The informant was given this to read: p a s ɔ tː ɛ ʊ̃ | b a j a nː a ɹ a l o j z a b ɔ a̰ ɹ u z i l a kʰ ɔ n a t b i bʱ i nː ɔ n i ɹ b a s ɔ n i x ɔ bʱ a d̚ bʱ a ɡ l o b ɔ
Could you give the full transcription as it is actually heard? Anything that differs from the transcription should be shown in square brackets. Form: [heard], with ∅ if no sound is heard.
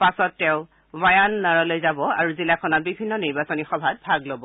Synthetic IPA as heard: p a s ɔ tː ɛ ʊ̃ | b a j a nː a ɹ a l o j z a b ɔ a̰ ɹ u z i l a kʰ ɔ n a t b i bʱ i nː ɔ n i ɹ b a s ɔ n i x ɔ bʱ a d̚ bʱ a ɡ l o b ɔ